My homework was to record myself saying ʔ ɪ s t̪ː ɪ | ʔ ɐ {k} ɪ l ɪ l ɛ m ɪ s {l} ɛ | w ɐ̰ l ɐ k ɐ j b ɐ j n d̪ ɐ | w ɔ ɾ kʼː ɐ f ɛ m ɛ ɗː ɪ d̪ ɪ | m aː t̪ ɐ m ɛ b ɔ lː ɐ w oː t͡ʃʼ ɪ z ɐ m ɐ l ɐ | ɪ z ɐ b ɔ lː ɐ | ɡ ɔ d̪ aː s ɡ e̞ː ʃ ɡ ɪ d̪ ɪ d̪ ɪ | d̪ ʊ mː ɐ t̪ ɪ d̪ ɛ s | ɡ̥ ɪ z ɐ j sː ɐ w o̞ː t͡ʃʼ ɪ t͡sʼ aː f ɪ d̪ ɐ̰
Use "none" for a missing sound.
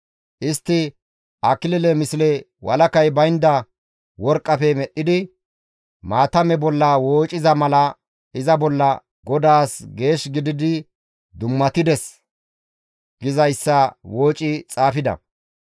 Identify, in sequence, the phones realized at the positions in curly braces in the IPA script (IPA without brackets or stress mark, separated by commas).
k, l